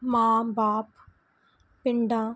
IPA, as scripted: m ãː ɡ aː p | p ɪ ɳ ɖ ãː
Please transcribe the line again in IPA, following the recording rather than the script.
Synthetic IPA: m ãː b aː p | p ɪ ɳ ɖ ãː